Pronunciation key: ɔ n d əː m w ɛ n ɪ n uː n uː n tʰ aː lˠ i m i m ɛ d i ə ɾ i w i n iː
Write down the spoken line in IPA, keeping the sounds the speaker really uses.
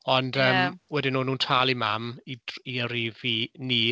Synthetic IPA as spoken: ɔ n d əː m w ɛ d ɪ n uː n uː n tʰ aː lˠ i m a m i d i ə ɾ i v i n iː